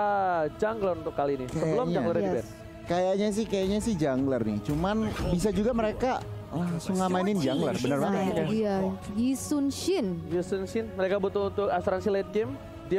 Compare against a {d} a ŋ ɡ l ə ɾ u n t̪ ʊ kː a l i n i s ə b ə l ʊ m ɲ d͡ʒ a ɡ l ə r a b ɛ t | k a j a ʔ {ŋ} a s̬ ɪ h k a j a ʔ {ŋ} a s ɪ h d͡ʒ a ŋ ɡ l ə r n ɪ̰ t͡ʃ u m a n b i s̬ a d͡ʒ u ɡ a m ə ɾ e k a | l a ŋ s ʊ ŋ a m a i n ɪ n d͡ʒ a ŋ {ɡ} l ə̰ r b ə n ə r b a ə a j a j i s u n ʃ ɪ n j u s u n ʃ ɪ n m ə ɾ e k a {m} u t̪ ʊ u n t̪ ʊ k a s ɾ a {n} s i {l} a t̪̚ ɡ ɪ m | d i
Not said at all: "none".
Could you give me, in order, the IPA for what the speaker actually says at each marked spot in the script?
d͡ʒ, ɲ, ɲ, ɡ, b, n, l

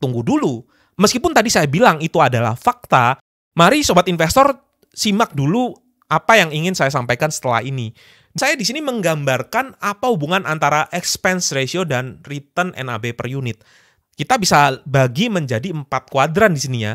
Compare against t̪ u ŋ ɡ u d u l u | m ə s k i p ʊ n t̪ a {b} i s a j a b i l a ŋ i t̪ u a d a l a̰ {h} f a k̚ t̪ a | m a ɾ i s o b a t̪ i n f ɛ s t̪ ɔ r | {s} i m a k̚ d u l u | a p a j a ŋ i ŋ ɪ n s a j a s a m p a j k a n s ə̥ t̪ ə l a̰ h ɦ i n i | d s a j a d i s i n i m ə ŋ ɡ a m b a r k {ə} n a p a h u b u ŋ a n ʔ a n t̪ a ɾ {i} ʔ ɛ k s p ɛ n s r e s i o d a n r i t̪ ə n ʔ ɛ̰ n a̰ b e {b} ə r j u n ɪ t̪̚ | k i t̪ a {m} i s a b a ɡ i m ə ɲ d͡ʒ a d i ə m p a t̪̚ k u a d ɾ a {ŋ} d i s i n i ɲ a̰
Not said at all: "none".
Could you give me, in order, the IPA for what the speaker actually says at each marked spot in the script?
d, h, s, a, a, p, b, n

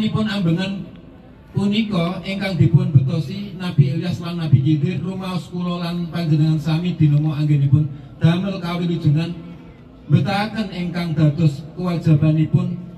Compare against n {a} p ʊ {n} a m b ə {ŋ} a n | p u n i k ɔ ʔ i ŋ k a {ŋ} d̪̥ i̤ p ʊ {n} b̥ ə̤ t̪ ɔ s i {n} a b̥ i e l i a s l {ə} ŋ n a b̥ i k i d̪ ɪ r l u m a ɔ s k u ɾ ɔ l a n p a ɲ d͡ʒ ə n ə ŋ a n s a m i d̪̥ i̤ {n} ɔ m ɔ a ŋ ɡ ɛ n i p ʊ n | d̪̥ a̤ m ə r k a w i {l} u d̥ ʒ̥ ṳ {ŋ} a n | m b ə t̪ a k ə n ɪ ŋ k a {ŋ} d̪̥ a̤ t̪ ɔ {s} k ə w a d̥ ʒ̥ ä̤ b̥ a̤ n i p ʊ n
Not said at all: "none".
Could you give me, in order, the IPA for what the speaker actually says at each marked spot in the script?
i, n, ŋ, ŋ, n, n, a, n, l, ŋ, ŋ, s

